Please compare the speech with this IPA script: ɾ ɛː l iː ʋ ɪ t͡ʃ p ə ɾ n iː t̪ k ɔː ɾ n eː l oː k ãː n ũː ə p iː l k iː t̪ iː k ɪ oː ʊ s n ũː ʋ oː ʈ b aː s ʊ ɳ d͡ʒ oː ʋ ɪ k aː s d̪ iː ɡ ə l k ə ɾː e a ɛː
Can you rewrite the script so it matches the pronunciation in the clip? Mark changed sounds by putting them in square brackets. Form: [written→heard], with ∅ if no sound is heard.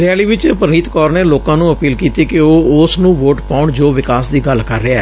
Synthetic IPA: ɾ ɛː l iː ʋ ɪ t͡ʃ p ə ɾ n iː t̪ k ɔː ɾ n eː l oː k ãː n ũː ə p iː l k iː t̪ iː k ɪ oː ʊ s n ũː ʋ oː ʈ [b→p] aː [s→∅] ʊ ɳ d͡ʒ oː ʋ ɪ k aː s d̪ iː ɡ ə l k ə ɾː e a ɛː